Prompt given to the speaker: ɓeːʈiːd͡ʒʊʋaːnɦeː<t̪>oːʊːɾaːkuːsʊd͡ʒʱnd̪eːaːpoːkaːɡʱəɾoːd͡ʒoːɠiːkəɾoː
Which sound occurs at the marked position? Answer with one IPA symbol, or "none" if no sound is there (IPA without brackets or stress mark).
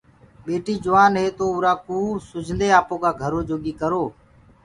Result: t̪